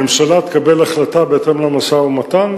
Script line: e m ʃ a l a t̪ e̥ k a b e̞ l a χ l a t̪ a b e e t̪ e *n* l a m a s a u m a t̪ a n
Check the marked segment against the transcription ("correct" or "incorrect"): incorrect